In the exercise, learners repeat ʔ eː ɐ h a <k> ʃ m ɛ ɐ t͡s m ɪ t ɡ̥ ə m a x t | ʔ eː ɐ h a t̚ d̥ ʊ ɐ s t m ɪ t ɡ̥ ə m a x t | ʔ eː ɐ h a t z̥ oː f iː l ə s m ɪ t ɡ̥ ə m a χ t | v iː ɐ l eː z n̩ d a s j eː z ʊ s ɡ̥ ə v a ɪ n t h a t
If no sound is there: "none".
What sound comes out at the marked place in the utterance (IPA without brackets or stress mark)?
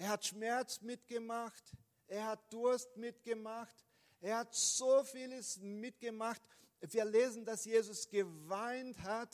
t